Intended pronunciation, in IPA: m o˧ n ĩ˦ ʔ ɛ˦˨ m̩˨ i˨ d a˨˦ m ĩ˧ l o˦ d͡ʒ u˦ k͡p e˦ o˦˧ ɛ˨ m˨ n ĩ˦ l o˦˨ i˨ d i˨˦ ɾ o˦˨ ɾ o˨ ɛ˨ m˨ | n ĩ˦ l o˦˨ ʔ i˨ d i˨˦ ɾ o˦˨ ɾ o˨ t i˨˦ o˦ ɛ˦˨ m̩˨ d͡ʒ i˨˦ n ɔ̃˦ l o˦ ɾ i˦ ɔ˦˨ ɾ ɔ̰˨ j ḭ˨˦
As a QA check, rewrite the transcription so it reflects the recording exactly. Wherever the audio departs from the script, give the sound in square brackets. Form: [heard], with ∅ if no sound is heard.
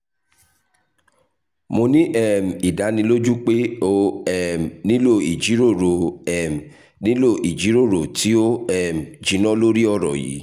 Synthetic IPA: m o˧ n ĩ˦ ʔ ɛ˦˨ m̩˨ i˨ d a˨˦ [n] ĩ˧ l o˦ d͡ʒ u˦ k͡p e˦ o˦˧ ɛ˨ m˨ n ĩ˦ l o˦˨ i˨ [d͡ʒ] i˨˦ ɾ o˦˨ ɾ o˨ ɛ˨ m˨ | n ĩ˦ l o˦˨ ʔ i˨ [d͡ʒ] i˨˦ ɾ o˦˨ ɾ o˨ t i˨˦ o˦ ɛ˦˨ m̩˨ d͡ʒ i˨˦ n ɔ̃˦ l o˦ ɾ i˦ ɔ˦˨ ɾ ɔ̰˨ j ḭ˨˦